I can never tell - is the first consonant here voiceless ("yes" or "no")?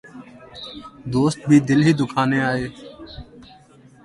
no